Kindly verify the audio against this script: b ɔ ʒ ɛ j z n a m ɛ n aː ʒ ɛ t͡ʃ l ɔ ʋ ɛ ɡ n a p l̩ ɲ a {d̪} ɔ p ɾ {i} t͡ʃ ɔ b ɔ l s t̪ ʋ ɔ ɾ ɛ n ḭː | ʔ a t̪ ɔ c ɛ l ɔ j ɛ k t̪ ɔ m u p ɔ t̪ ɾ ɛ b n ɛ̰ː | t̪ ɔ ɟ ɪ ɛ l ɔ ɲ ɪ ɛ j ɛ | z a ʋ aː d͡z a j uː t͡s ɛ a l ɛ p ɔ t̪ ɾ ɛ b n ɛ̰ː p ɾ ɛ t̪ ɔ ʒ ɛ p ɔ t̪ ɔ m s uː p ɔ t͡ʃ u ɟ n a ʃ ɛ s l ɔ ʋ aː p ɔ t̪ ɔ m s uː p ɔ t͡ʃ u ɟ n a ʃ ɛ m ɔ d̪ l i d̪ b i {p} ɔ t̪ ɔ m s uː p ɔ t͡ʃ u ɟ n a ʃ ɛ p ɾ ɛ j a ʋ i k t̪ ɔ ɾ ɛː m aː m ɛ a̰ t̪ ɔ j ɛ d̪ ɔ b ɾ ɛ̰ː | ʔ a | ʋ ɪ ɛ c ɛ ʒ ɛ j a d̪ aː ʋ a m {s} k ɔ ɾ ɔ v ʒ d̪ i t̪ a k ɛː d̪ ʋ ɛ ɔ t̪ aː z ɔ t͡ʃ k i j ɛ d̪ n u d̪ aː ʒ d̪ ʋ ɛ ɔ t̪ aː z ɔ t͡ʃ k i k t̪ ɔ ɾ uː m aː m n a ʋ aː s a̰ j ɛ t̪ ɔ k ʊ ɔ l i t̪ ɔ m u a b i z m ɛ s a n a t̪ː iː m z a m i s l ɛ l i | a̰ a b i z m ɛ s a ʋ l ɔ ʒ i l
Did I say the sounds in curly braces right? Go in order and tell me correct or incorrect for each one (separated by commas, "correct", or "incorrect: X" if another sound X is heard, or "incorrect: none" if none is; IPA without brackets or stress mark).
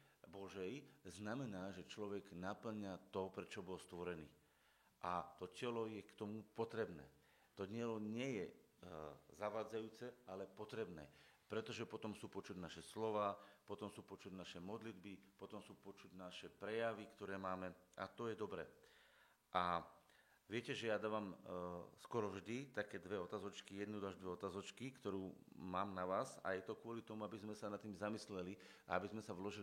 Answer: incorrect: t̪, incorrect: ɛ, correct, correct